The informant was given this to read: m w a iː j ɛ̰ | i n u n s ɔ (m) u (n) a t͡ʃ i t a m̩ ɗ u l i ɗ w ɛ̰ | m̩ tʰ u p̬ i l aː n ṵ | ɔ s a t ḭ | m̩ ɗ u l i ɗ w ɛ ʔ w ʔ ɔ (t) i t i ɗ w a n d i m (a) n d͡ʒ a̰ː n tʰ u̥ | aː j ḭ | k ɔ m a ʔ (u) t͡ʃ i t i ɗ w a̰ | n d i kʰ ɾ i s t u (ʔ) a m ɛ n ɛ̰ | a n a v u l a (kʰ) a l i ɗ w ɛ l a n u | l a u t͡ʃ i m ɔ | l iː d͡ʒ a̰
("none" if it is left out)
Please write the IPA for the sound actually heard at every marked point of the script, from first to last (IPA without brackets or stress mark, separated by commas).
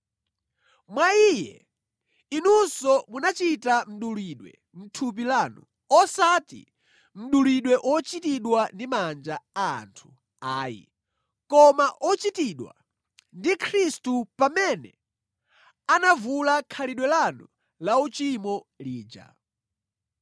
m, n, t͡ʃ, a, ɔ, p, kʰ